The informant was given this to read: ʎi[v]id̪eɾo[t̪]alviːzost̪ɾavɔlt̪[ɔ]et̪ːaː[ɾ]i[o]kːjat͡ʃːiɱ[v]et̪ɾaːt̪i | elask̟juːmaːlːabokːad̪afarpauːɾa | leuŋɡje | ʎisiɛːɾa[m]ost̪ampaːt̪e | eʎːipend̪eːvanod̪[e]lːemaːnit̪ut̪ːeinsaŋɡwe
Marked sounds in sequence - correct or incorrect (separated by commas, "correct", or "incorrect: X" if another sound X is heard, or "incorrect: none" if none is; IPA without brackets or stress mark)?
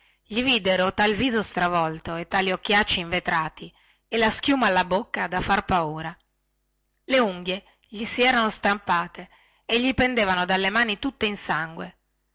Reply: correct, correct, incorrect: o, incorrect: l, correct, correct, incorrect: n, incorrect: a